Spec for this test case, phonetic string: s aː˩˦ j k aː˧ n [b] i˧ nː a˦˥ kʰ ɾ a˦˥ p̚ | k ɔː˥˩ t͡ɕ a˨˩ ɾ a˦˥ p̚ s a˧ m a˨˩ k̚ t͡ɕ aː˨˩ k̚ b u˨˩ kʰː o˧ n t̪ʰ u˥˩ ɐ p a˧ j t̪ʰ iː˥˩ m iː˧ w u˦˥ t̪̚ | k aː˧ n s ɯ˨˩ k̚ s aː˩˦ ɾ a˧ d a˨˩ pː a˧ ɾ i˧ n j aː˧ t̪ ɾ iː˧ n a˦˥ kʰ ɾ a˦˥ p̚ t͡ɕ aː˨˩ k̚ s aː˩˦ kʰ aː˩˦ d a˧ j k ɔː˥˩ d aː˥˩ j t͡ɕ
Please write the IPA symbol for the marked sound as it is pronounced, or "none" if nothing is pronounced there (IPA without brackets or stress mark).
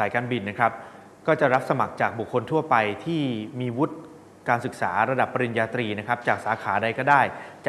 b